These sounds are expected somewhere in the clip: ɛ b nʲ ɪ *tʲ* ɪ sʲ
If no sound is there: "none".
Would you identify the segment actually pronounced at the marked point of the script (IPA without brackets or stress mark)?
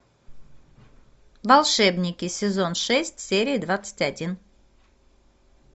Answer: kʲ